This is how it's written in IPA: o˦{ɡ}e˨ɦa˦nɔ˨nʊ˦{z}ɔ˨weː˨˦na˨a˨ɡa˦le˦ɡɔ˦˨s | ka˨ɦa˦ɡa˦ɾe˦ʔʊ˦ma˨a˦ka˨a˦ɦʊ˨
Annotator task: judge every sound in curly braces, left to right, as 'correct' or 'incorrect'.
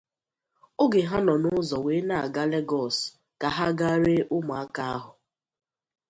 correct, correct

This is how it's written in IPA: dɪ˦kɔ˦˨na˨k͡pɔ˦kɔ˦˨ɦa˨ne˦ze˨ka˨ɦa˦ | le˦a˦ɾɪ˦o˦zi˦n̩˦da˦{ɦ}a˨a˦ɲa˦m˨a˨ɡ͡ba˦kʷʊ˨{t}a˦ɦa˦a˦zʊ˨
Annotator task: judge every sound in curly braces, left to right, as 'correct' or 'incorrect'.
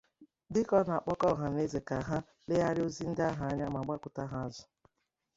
correct, correct

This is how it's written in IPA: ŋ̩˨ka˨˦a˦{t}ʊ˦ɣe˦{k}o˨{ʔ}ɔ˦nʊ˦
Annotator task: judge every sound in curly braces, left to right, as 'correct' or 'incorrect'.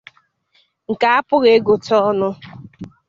incorrect: p, incorrect: ɡ, incorrect: t

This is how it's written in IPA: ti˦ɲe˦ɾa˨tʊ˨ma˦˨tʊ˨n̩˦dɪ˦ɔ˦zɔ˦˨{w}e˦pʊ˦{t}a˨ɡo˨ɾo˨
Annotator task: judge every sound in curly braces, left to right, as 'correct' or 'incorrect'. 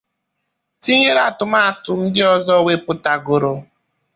correct, correct

